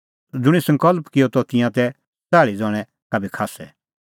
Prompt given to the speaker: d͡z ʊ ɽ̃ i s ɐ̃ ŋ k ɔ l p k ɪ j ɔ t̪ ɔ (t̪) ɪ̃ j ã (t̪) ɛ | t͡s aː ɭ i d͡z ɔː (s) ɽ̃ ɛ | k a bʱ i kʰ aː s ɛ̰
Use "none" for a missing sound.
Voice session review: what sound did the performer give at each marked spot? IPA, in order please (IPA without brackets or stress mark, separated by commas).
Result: t̪, t̪, none